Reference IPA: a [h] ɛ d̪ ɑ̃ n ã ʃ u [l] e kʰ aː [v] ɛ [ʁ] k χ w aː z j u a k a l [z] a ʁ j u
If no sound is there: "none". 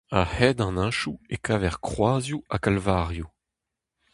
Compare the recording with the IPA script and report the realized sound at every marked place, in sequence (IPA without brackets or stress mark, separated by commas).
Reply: h, none, v, ʁ, v